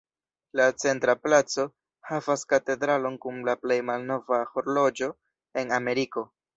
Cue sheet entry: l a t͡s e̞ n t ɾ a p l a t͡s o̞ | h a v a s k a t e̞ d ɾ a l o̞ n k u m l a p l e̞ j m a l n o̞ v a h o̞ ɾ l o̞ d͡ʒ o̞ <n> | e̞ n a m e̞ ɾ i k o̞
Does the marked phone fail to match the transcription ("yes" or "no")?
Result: yes